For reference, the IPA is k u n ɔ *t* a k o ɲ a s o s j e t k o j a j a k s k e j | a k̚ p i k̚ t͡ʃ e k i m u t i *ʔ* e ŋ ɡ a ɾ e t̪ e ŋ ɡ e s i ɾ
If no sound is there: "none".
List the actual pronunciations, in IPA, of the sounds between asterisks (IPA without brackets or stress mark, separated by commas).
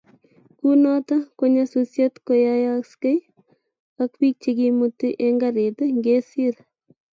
t, ʔ